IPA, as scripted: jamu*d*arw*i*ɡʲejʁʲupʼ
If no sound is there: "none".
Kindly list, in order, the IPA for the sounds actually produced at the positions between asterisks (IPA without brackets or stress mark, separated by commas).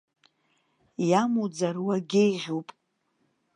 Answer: d͡z, a